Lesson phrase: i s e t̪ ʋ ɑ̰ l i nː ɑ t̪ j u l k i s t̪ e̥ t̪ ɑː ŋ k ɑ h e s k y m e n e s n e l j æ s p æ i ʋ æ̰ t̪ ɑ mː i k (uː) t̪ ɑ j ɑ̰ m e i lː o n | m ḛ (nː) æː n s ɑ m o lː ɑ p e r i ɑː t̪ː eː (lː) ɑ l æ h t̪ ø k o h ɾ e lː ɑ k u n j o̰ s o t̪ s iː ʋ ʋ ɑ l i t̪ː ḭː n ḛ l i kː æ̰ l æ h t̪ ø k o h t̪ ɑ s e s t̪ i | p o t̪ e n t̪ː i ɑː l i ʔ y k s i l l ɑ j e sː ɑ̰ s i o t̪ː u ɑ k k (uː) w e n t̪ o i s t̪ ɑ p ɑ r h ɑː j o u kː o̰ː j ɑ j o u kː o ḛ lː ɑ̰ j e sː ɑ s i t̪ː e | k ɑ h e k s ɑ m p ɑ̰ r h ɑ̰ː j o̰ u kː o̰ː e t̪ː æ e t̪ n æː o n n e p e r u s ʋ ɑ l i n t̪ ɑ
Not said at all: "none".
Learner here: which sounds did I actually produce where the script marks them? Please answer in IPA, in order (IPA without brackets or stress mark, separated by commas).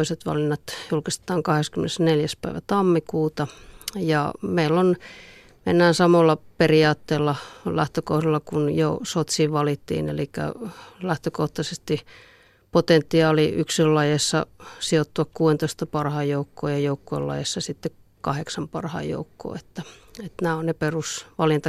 uː, nː, lː, uː